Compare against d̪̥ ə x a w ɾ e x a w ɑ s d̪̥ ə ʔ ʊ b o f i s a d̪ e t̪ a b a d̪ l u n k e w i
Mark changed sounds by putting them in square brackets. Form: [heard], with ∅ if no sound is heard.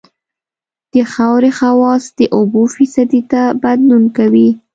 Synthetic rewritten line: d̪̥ ə x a w ɾ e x a w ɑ s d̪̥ ə ʔ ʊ b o f i s a d̪ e t̪ a b a d̪ l u n k [a] w i